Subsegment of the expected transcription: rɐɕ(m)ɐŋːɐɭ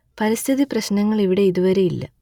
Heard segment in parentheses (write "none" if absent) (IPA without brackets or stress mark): n